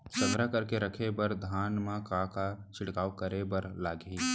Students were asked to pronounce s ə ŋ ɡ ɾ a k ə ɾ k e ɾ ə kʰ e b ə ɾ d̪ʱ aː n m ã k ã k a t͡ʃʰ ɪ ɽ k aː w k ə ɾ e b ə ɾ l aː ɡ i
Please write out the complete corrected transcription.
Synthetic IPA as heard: s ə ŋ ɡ ɾ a k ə ɾ k e ɾ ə kʰ e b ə ɾ d̪ʱ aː n m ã k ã k a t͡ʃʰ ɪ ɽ k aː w k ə ɾ e b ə ɾ l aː ɡ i

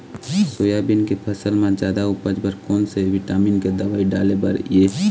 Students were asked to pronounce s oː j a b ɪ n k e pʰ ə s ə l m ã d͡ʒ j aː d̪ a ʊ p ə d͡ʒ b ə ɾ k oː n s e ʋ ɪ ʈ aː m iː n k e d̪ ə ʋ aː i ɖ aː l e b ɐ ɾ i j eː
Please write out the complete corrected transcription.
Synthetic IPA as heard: s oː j a b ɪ n k e pʰ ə s ə l m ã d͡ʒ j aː d̪ a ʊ p ə d͡ʒ b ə ɾ k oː n s e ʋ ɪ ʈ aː m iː n k e d̪ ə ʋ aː i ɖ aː l e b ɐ ɾ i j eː

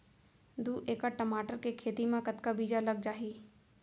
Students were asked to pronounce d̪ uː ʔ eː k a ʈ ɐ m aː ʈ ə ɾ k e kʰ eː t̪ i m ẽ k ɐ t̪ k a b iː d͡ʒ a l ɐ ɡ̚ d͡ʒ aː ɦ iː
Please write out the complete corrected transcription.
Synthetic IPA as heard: d̪ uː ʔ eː k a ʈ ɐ m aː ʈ ə ɾ k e kʰ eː t̪ i m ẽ k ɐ t̪ k a b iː d͡ʒ a l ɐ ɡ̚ d͡ʒ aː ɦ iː

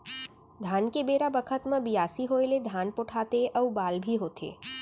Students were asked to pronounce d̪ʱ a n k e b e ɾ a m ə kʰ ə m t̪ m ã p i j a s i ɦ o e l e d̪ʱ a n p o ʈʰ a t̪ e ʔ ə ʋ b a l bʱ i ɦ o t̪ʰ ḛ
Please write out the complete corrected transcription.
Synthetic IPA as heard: d̪ʱ a n k e b e ɾ a b ə kʰ ə t̪ m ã b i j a s i ɦ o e l e d̪ʱ a n p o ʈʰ a t̪ e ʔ ə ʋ b a l bʱ i ɦ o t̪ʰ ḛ

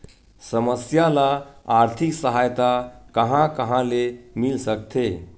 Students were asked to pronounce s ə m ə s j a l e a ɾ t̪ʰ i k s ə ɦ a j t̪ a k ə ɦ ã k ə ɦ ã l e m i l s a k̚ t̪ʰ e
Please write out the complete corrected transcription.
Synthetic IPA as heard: s ə m ə s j a l a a ɾ t̪ʰ i k s ə ɦ a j t̪ a k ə ɦ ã k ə ɦ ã l e m i l s ə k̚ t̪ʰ e

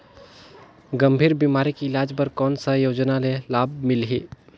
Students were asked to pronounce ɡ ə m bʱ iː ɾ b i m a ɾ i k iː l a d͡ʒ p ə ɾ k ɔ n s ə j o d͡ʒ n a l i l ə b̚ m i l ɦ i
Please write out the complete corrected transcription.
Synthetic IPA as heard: ɡ ə m bʱ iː ɾ b i m a ɾ i k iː l a d͡ʒ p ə ɾ k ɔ n s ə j o d͡ʒ n a l e l a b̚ m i l ɦ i

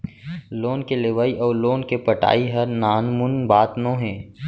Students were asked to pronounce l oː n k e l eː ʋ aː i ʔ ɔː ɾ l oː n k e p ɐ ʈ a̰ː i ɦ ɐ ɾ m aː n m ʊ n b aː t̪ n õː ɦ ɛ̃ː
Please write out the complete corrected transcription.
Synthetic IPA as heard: l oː n k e l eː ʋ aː i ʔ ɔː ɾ l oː n k e p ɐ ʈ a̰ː i ɦ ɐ ɾ n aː n m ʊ n b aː t̪ n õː ɦ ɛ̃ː

